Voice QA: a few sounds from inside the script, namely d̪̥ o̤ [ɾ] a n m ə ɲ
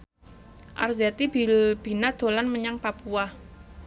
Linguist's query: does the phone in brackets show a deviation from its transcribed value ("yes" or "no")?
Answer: yes